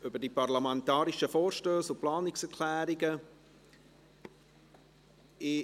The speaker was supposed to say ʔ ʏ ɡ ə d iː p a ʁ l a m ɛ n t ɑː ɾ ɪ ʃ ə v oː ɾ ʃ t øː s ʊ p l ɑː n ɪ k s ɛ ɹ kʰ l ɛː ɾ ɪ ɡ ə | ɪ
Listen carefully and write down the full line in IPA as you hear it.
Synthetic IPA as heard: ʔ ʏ b ə d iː p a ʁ l a m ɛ n t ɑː ɾ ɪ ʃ ə f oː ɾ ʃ t øː s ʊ p l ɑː n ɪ k s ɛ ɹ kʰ l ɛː ɾ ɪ ɡ ə | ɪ